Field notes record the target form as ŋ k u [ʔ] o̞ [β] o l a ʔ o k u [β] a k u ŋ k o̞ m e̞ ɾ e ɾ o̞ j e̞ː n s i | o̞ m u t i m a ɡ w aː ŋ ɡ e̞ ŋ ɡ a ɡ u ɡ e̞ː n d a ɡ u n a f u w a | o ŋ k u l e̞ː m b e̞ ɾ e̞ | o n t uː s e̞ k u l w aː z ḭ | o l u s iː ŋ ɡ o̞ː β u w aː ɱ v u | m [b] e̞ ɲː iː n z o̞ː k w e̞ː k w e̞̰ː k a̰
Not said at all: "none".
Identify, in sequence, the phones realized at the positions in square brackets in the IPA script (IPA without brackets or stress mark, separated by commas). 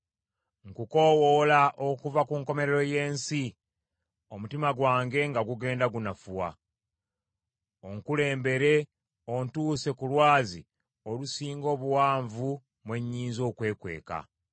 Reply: k, w, v, w